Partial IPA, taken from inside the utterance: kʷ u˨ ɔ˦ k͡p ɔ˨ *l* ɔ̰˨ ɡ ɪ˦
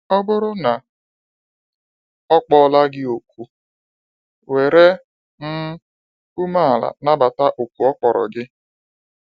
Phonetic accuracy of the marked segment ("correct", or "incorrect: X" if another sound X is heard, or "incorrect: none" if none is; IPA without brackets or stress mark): incorrect: ɾ